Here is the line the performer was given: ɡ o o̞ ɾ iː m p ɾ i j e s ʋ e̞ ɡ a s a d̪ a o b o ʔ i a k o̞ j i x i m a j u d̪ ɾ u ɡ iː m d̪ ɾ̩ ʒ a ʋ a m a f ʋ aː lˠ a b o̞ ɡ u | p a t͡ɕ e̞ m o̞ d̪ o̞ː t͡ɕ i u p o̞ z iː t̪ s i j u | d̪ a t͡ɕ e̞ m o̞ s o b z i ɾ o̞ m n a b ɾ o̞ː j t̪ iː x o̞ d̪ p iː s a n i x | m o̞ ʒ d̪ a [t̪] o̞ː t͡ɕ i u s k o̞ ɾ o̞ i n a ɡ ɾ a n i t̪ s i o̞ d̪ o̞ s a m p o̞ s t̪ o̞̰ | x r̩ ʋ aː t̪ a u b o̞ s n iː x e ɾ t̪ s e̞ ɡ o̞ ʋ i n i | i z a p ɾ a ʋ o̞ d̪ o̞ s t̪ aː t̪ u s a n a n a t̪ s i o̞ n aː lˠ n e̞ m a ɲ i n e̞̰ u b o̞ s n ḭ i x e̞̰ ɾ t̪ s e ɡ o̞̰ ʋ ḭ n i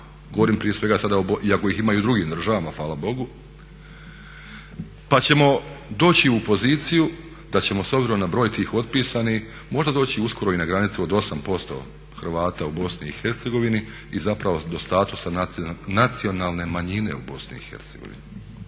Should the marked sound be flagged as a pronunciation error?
yes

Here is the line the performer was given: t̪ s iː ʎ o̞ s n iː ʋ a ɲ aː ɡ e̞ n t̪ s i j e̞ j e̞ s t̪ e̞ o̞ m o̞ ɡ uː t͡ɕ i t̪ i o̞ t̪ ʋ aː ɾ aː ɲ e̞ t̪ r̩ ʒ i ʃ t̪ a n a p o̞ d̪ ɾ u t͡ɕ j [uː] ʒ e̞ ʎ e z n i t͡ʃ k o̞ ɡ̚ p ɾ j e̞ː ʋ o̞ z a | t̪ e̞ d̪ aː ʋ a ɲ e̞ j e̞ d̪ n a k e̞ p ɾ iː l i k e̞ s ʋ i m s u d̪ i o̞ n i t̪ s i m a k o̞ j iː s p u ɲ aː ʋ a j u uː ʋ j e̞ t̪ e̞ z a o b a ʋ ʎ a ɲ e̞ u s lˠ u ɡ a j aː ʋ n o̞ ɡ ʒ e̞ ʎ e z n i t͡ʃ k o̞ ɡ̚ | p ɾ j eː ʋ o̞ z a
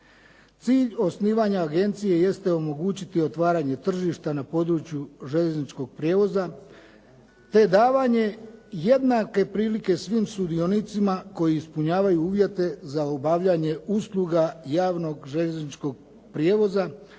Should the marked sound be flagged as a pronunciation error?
yes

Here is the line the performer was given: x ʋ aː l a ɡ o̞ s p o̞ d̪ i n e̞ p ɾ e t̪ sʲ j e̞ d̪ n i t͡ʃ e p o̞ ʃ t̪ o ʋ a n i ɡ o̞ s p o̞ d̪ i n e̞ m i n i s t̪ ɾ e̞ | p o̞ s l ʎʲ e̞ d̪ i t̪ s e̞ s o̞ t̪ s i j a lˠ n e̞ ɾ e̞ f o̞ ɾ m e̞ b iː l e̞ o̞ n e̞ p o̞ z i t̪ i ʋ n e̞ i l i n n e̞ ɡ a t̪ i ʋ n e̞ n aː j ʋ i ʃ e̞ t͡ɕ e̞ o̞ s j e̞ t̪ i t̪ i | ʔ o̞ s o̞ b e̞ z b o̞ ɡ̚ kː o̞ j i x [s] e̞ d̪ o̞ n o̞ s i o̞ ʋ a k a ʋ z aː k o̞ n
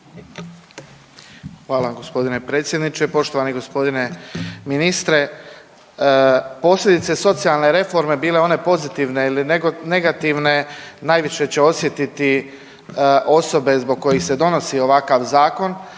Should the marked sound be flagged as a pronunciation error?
no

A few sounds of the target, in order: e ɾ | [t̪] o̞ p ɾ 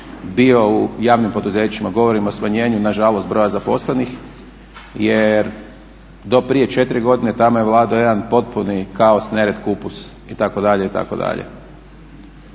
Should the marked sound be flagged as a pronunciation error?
yes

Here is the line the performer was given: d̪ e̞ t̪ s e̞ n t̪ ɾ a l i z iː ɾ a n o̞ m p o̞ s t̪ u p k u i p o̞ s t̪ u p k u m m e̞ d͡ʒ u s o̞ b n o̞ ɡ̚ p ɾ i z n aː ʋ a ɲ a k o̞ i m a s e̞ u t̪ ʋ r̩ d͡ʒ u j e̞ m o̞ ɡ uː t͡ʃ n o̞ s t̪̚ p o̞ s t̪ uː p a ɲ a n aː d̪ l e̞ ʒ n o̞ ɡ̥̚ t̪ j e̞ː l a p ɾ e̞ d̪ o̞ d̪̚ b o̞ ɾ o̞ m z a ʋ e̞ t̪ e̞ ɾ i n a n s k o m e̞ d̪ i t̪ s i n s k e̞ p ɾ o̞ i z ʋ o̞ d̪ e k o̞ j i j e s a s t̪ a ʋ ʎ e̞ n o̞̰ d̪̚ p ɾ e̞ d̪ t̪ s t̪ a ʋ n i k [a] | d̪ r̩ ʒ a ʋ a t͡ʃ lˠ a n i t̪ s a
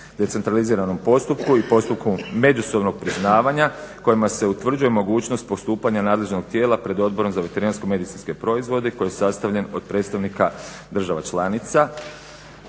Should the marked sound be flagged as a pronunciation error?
no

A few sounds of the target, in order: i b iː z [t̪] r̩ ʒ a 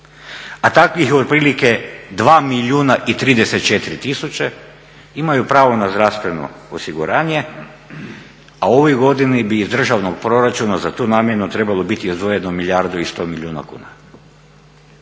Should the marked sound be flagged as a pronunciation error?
yes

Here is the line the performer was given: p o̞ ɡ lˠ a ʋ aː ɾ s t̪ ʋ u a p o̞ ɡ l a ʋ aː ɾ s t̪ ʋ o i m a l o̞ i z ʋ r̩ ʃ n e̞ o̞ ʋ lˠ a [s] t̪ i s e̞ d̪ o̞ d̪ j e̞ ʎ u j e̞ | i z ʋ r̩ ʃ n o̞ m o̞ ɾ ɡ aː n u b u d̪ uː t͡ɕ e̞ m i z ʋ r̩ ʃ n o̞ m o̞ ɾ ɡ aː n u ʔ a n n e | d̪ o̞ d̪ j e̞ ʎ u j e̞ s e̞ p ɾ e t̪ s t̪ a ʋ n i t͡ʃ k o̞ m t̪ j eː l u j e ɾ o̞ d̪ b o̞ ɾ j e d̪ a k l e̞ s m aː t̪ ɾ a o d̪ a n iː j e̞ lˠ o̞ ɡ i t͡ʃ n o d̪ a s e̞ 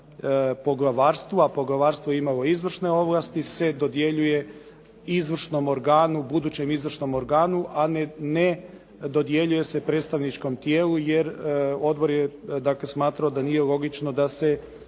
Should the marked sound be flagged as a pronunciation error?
no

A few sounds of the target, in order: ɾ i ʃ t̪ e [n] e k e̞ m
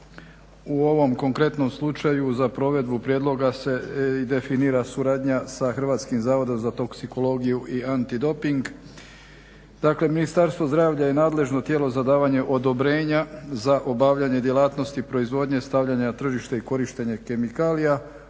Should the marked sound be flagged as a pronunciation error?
yes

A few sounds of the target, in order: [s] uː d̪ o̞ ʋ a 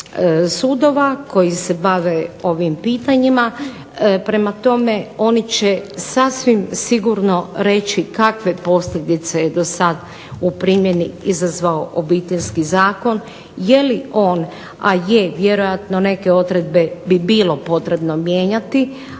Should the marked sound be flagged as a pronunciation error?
no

